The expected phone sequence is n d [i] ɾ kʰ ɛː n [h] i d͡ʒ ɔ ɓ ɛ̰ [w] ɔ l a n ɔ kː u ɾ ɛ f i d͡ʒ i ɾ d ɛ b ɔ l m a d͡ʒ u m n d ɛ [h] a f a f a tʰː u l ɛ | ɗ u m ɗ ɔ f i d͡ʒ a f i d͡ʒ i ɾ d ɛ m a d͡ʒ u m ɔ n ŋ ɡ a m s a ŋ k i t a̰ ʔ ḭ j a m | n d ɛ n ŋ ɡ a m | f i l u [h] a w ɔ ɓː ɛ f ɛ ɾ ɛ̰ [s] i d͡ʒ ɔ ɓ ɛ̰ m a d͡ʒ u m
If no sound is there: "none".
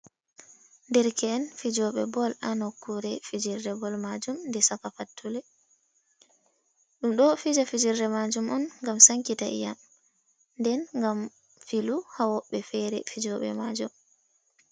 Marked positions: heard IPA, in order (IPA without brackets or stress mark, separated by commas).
ɛ, f, b, s, h, f